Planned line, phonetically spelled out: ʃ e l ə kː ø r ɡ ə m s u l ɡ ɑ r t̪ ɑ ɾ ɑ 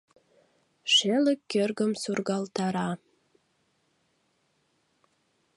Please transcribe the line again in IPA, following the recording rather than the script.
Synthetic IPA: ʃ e l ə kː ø r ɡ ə m s u r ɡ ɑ l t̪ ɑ ɾ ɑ